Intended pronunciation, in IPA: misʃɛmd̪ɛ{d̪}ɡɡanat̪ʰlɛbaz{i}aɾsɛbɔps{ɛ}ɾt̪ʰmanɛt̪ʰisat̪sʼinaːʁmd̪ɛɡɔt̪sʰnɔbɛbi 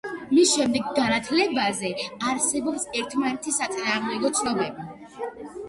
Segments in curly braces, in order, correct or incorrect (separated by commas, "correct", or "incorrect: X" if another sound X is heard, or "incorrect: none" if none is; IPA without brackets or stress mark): incorrect: none, incorrect: ɛ, correct